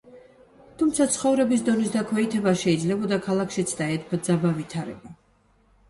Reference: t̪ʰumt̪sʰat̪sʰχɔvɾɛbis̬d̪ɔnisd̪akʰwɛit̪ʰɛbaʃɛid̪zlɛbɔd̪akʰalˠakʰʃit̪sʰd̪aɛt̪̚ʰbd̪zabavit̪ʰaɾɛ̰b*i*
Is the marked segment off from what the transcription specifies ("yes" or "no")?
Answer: yes